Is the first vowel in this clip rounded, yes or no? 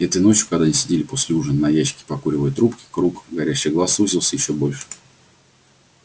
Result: no